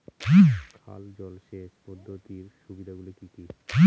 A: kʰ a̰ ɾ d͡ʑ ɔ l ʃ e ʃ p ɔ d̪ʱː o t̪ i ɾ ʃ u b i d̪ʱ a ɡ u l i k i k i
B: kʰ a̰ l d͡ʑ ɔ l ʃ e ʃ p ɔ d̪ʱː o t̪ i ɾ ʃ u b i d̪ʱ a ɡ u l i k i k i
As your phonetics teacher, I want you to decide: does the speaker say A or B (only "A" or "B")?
B